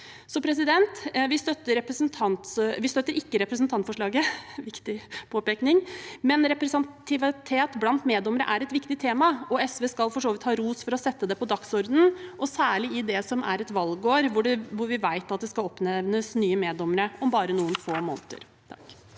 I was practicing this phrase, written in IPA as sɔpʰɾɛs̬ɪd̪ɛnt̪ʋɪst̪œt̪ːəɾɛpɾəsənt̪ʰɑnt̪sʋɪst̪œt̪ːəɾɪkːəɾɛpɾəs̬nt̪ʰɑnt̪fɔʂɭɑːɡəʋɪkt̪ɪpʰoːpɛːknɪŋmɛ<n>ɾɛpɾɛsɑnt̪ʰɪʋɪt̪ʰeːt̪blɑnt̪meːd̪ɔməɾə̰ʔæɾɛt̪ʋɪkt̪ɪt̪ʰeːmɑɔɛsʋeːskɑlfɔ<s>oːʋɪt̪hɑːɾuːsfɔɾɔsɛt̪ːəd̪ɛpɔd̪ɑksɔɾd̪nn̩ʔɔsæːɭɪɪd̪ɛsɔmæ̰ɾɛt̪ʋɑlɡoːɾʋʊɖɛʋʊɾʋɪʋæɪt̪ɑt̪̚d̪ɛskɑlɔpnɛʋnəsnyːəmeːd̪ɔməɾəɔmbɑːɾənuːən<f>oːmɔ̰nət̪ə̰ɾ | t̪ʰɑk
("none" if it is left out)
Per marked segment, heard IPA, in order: n, ʂ, f

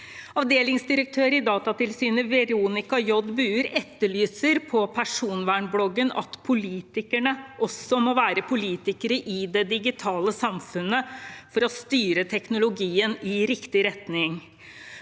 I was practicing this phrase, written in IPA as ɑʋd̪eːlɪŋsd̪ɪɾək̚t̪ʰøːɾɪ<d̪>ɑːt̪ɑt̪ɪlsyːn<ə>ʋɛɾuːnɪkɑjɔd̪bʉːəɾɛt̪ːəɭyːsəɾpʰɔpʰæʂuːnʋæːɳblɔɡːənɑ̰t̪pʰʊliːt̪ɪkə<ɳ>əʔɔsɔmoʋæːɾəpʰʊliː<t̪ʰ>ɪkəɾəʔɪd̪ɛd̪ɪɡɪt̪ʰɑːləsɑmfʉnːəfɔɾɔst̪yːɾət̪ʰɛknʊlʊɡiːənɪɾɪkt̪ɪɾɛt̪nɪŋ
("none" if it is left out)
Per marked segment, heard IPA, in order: d̪, ə, ɳ, t̪

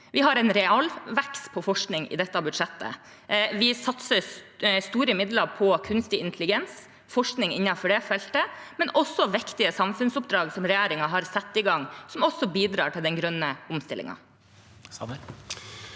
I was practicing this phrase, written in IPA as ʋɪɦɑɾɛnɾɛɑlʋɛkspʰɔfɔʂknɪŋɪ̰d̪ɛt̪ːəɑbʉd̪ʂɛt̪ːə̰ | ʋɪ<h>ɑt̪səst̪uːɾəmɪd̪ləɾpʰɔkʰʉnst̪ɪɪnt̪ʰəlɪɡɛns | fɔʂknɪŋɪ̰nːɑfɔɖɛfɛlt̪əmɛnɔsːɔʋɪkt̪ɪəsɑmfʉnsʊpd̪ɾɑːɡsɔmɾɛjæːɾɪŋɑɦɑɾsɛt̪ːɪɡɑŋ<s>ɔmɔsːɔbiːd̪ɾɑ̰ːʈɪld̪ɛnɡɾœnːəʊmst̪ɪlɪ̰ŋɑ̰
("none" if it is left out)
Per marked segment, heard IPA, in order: s, s

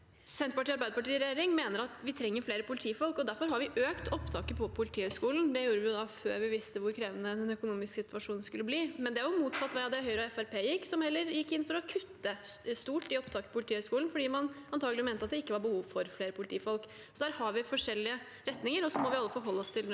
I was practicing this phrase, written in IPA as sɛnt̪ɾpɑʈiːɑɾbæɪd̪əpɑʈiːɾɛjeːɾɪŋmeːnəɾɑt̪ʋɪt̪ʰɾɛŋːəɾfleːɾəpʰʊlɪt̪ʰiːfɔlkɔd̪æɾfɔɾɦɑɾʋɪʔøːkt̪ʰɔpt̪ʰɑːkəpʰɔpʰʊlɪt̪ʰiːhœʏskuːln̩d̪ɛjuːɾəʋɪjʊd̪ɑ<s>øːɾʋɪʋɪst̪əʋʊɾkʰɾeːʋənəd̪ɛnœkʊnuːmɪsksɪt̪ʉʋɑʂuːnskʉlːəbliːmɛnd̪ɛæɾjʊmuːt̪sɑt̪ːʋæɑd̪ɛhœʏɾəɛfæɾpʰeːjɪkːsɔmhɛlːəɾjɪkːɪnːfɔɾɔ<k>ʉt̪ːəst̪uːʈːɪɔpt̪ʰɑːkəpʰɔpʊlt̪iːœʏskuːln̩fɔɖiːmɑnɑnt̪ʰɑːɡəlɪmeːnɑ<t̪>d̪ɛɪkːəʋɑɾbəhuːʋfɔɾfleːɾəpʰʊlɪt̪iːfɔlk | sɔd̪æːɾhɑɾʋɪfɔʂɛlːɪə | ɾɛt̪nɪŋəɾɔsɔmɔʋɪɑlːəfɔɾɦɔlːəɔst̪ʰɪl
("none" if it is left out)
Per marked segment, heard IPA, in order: f, kʰ, t̪

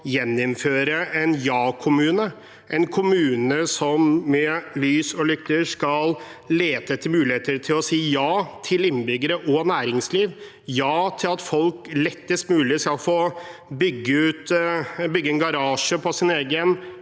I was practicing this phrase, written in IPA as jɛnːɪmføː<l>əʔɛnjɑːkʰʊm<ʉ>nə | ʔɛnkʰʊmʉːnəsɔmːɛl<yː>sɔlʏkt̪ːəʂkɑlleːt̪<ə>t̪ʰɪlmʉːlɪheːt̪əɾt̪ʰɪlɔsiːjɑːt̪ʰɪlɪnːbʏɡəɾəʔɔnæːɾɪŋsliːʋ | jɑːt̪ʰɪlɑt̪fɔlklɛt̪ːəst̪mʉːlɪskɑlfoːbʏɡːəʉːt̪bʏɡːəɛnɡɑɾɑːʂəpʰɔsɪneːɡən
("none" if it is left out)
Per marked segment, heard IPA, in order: ɾ, ʉː, yː, ə

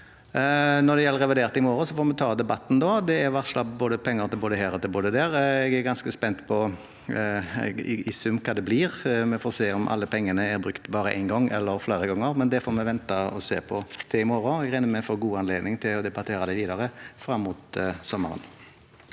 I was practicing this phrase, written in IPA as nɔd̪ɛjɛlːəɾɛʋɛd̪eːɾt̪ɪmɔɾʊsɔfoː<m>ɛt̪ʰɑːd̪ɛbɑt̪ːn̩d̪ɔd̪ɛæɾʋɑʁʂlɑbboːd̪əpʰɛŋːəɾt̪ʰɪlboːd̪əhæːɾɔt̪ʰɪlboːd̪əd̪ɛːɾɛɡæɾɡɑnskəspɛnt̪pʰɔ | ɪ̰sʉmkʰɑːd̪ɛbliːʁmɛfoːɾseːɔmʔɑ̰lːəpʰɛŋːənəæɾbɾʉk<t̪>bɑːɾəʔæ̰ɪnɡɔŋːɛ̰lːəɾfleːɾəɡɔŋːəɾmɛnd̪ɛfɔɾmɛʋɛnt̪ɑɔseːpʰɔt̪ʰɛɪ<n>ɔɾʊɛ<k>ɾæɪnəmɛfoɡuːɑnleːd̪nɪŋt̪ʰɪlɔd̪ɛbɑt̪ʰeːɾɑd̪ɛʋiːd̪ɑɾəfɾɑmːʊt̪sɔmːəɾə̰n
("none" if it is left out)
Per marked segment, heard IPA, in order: m, t̪, m, ɡ

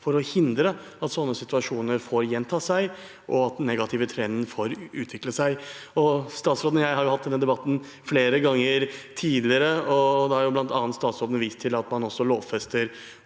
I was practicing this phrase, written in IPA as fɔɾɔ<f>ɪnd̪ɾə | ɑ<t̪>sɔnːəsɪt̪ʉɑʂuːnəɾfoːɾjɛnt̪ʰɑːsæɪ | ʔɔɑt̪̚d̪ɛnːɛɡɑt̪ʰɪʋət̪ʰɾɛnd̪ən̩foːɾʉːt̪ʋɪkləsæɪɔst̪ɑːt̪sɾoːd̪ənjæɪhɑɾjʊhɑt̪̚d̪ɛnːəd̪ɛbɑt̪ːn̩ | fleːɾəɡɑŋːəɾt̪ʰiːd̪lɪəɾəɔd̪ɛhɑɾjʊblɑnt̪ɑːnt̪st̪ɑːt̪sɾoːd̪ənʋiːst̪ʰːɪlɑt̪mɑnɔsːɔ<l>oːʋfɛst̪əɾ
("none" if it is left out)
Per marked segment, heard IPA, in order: h, t̪, l

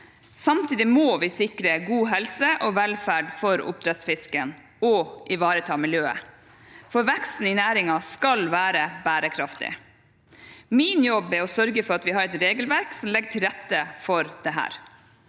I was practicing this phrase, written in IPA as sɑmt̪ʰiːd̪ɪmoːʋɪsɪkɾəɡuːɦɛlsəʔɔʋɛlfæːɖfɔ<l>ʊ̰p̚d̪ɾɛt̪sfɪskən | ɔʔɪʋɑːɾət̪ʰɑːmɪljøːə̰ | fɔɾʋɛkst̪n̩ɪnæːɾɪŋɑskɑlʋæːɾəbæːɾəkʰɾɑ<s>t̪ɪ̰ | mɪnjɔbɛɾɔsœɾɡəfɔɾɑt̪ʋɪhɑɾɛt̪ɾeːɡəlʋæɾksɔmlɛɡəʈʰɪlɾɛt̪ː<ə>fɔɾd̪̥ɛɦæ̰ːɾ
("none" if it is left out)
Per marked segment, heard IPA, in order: ɾ, f, ə

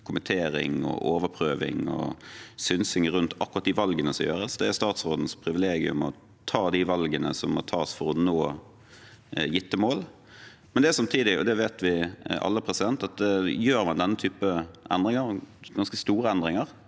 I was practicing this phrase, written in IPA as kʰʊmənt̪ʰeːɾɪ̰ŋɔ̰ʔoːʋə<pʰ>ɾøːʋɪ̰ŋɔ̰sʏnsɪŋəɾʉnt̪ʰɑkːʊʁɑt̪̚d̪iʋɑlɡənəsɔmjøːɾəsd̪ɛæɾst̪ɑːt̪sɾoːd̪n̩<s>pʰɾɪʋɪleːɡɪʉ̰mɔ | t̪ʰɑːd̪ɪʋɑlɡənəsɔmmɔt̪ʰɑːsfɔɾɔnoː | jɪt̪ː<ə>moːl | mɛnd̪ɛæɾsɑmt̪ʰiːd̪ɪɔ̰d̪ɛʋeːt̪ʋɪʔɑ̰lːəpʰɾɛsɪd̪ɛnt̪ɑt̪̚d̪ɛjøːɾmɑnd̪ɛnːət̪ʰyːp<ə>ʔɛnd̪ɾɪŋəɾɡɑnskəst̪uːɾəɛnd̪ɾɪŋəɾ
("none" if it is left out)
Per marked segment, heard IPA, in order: pʰ, s, ə, ə

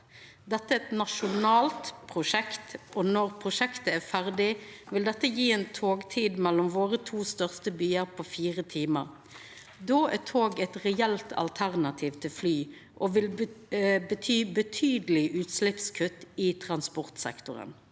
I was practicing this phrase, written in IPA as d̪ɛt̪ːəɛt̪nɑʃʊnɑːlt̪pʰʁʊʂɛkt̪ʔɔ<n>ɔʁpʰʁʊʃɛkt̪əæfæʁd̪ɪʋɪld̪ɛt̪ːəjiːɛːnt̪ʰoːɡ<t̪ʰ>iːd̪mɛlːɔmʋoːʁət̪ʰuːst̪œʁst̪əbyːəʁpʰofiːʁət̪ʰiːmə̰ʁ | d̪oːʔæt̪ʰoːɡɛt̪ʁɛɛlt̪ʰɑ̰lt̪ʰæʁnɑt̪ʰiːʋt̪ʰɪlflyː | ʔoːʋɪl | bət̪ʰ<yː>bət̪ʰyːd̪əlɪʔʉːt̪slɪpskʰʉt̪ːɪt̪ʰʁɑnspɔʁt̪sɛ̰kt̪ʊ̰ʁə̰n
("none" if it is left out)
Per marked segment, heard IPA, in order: n, t̪ʰ, yː

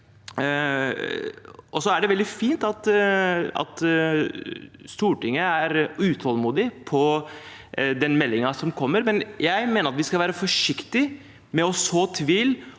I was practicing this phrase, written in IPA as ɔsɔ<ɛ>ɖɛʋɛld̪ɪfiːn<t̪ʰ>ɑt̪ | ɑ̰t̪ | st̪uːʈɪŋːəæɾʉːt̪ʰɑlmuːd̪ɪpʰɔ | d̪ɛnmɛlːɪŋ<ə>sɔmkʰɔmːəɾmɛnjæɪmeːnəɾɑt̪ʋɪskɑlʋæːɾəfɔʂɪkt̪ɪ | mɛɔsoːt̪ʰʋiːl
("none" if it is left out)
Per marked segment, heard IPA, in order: æ, t̪, ɑ

